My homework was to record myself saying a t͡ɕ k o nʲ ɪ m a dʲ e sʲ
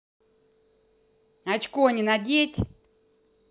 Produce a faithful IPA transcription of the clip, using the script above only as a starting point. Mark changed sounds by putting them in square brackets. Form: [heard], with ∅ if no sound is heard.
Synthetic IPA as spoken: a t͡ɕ k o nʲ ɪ [n] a dʲ e [tʲ]